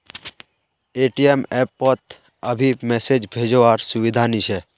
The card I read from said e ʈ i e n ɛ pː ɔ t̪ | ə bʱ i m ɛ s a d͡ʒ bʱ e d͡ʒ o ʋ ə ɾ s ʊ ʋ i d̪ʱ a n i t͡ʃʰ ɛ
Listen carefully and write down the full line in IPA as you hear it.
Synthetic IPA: e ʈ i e m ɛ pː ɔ t̪ | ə bʱ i m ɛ s e d͡ʒ bʱ e d͡ʒ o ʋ a ɾ s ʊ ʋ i d̪ʱ a n i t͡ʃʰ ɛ